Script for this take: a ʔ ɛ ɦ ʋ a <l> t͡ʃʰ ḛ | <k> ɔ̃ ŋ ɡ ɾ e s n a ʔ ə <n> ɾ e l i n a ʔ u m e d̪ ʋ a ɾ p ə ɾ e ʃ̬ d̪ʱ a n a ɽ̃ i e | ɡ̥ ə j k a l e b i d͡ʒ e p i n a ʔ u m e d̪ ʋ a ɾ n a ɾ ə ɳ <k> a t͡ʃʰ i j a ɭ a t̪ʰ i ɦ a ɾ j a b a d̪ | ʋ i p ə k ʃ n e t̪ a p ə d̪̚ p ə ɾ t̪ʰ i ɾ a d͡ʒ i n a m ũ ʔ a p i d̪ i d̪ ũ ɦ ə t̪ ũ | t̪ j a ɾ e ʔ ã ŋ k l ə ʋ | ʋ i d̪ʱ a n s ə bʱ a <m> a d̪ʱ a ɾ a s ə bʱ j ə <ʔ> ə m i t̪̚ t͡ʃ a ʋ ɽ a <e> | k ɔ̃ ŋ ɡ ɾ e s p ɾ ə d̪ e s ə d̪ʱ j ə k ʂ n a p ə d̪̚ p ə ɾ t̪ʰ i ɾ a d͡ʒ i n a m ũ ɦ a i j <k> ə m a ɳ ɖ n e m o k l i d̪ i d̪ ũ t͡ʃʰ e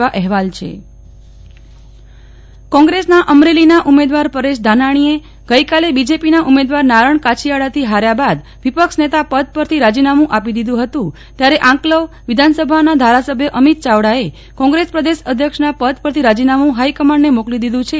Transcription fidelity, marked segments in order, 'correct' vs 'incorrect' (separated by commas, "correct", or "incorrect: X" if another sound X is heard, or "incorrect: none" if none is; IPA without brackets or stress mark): correct, correct, incorrect: m, correct, incorrect: n, correct, correct, correct